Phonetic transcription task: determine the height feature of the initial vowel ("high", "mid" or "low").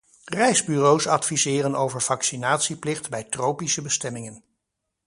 mid